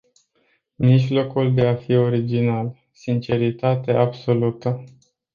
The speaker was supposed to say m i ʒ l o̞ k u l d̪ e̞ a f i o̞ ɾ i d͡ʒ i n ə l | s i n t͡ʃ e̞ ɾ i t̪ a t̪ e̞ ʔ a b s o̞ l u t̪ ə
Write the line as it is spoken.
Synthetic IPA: m i ʒ l o̞ k u l d̪ e̞ a f i o̞ ɾ i d͡ʒ i n a l | s i n t͡ʃ e̞ ɾ i t̪ a t̪ e̞ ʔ a b s o̞ l u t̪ ə